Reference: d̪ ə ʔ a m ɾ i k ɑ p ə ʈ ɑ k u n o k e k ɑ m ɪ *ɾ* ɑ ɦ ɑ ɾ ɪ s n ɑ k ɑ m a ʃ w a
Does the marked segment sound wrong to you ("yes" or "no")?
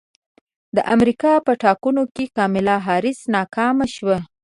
yes